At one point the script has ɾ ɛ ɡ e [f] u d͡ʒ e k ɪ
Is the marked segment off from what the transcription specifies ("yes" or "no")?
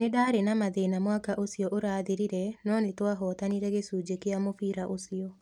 yes